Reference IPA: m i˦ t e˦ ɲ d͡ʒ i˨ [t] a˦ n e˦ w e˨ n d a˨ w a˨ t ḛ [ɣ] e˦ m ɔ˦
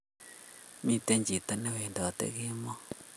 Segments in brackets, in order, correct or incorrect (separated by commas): correct, correct